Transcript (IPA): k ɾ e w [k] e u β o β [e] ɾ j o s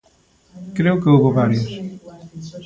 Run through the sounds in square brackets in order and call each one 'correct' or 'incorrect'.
correct, incorrect: a

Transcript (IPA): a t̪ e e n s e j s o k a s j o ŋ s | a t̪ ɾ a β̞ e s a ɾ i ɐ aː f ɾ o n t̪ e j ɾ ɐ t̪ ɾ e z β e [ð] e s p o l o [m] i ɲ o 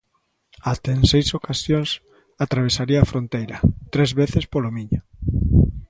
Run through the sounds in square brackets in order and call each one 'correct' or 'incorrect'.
incorrect: θ, correct

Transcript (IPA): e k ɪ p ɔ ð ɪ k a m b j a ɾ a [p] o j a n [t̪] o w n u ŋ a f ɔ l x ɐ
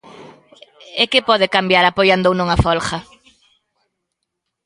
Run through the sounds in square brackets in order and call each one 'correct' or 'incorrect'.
correct, incorrect: d̪

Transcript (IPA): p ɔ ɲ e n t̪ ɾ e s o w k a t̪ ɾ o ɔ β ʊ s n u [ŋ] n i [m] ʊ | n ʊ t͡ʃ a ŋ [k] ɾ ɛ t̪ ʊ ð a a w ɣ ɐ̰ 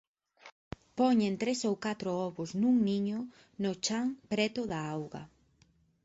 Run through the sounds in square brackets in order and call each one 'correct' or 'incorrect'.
correct, incorrect: ɲ, incorrect: p

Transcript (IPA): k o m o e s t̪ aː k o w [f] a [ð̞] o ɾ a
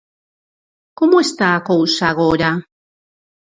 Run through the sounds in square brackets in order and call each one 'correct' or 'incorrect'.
incorrect: s, incorrect: ɣ̞

